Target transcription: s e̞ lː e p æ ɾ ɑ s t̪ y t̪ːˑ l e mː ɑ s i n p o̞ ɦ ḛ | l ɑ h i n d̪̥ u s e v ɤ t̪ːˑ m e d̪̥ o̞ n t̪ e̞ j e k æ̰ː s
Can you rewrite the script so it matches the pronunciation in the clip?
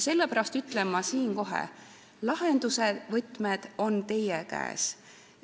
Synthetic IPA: s e̞ lː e p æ ɾ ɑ s t̪ y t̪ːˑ l e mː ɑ s iː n k o̞ ɦ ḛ | l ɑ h e n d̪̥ u s e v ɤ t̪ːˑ m e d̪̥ o̞ n t̪ e̞ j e k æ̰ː s

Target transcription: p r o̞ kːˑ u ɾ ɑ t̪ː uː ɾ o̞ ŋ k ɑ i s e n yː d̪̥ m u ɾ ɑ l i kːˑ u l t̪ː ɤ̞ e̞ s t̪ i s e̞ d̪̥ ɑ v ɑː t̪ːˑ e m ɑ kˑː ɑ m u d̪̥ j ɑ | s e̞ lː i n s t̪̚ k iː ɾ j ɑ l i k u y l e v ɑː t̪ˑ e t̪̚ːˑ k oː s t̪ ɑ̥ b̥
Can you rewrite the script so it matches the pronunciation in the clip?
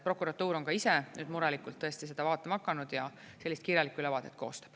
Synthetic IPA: p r o̞ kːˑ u ɾ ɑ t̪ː uː ɾ o̞ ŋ k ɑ i s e n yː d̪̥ m u ɾ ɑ l i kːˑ u l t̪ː ɤ̞ e̞ s t̪ i s e̞ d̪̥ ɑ v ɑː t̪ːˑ e m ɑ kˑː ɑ n u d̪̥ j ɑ | s e̞ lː i s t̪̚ k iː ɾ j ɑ l i k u y l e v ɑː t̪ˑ e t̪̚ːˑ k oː s t̪ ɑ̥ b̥

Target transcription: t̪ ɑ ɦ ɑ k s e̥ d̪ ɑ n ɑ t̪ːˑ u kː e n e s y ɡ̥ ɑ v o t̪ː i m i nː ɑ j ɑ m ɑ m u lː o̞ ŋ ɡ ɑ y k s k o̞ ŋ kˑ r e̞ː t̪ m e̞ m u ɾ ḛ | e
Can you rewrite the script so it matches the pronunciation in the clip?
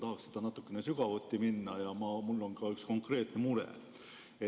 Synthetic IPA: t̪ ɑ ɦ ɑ k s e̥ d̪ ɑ n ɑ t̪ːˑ u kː e n e s y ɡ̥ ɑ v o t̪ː i m i nː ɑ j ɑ m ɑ m u lː o̞ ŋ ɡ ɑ y k s k o̞ ŋ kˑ r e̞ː t̪ n e̞ m u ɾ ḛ | e

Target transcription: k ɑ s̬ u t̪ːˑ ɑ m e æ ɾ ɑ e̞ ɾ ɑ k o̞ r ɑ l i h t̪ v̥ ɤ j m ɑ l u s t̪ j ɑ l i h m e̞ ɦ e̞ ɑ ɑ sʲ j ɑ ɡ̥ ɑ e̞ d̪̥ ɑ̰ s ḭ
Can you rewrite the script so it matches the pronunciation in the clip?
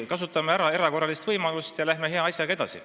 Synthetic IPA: k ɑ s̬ u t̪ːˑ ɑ m e æ ɾ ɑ e̞ ɾ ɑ k o̞ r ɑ l i s t̪ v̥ ɤ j m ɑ l u s t̪ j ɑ l æ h m e̞ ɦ e̞ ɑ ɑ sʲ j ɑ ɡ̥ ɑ e̞ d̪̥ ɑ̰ s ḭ

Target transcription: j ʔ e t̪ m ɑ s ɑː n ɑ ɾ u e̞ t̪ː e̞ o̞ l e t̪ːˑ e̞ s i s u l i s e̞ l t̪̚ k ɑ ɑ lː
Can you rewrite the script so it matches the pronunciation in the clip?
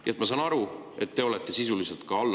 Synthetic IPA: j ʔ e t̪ m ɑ s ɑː n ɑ ɾ u e̞ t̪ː e̞ o̞ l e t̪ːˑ e̞ s i s u l i s e̞ l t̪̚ k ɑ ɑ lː

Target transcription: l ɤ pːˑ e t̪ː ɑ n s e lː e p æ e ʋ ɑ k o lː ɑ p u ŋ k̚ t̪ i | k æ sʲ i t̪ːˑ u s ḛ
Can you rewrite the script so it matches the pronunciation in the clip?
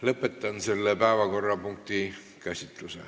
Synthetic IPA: l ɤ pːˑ e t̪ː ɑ n s e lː e p æ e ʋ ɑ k o rː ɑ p u ŋ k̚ t̪ i | k æ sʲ i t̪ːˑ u s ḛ

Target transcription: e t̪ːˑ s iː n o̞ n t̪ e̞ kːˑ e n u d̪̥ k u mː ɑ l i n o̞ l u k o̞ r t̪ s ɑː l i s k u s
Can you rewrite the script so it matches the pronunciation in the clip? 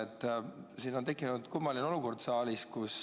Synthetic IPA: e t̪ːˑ s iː n o̞ n t̪ e̞ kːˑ i n u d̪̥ k u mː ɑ l i n o̞ l u k o̞ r d̪ s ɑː l i s k u s

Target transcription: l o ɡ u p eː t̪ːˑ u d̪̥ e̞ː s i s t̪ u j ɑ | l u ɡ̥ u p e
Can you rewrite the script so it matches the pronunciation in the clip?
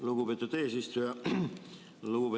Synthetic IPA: l u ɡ u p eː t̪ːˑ u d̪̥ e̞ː s i s t̪ u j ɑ | l u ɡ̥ u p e

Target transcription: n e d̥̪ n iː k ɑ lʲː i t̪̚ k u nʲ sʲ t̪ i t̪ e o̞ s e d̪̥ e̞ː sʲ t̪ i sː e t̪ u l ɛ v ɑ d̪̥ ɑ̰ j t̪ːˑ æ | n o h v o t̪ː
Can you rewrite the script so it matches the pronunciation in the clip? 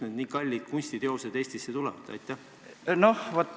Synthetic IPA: n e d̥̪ n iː k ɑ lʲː i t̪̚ k u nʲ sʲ t̪ i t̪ e o̞ s e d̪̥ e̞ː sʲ t̪ i sː e t̪ u l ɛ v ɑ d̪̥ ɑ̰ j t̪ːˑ æ | n o h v o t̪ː

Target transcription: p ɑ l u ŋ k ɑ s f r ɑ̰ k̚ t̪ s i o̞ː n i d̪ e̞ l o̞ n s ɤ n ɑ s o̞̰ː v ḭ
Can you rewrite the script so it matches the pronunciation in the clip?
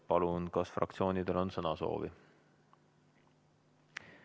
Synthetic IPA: p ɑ l u n k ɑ s f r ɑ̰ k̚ t̪ s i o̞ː n i d̪ e̞ l o̞ n s ɤ n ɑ s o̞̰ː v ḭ

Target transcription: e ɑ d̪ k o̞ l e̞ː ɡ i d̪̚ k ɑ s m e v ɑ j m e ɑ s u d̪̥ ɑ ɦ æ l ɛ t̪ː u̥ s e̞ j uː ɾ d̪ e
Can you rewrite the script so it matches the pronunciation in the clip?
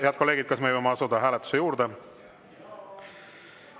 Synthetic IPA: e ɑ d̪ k o̞ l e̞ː ɡ i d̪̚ k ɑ s m e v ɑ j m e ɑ s u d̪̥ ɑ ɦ æː l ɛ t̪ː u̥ s e̞ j uː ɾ d̪ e

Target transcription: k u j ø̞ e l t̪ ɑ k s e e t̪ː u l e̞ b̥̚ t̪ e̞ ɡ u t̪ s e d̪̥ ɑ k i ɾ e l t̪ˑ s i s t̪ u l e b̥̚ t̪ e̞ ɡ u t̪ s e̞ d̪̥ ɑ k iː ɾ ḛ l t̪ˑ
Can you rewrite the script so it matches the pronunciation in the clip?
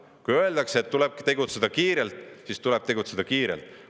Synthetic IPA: k u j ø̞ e l d̪ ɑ k s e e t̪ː u l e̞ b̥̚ t̪ e̞ ɡ u t̪ s e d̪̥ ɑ k iː ɾ e l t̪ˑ s i s t̪ u l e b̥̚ t̪ e̞ ɡ u t̪ s e̞ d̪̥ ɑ k iː ɾ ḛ l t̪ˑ

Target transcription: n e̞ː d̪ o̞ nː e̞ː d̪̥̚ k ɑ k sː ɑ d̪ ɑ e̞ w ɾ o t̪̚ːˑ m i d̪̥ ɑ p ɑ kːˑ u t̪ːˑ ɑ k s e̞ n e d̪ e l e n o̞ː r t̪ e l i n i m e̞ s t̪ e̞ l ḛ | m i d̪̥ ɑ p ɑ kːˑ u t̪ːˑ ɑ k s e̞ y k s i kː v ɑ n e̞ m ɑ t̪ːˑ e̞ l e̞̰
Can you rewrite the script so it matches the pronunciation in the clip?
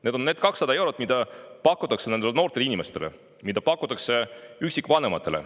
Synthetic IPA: n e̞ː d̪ o̞ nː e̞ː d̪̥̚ k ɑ k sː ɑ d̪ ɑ e̞ w ɾ o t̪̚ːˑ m i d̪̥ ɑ p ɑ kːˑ u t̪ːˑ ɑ k s e̞ n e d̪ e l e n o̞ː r t̪ e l i n i m e̞ s t̪ e̞ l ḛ | m i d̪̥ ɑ p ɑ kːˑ u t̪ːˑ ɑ k s e̞ y k s i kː v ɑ n e̞ m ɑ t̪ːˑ e̞ l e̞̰

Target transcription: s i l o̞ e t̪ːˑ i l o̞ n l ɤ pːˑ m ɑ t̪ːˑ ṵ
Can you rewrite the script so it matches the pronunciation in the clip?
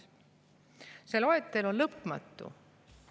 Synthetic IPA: s e l o̞ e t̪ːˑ e l o̞ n l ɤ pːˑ m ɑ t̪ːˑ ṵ

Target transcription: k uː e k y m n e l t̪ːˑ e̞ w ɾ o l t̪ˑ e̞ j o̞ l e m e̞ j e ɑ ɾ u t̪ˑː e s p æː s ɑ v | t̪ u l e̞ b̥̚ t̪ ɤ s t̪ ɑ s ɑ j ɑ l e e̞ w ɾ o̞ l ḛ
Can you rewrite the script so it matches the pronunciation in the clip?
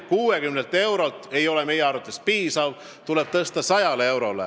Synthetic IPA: k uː e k y m n e l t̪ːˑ e̞ w ɾ o l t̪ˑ e̞ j o̞ l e m e̞ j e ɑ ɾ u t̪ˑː e s p iː s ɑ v | t̪ u l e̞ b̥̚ t̪ ɤ s t̪ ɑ s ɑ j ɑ l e e̞ w ɾ o̞ l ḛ

